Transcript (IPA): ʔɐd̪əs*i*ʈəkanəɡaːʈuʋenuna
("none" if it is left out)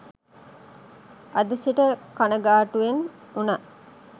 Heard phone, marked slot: i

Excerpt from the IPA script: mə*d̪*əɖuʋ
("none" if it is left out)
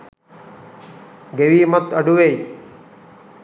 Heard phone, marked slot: t̪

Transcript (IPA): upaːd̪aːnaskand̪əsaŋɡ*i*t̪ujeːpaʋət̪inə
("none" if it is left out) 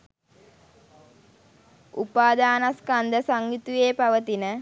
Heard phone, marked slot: i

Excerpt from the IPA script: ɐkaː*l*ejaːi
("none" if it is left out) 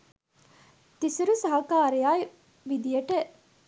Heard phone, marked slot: ɾ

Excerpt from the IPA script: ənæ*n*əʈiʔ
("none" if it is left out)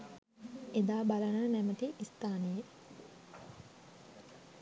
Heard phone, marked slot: m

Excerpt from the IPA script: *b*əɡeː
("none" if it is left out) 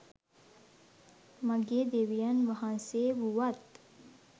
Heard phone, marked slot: m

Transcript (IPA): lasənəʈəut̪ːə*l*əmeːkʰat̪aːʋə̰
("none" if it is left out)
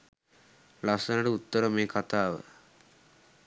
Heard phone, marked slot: ɾ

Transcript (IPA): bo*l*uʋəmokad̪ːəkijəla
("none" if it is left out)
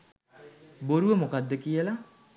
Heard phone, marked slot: ɾ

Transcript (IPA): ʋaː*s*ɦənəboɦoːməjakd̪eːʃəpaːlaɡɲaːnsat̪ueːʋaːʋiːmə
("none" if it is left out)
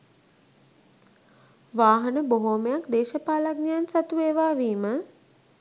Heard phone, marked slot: none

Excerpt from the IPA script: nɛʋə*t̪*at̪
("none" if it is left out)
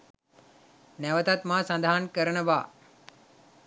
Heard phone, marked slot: t̪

